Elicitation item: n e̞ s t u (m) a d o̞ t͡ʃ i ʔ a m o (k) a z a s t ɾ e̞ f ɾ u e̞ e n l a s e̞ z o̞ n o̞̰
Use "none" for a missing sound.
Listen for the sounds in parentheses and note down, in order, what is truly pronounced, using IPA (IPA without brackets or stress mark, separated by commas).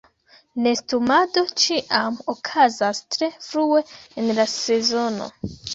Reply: m, kʰ